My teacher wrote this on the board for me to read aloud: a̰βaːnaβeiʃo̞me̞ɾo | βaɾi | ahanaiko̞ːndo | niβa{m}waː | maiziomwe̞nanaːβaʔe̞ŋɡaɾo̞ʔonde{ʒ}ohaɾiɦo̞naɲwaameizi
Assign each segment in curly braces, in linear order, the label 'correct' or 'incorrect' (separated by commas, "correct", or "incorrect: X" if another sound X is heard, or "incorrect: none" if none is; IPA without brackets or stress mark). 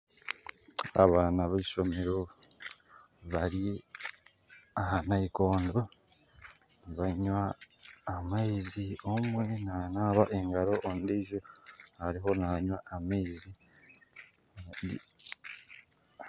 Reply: incorrect: ɲ, correct